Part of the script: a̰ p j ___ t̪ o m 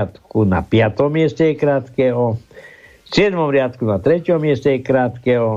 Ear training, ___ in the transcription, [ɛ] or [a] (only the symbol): a